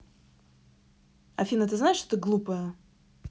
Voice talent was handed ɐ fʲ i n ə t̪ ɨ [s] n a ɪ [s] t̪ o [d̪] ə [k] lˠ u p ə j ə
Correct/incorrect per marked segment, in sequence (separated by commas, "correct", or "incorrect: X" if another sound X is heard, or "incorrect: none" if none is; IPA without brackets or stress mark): incorrect: z, incorrect: ʂ, incorrect: t̪, incorrect: ɡ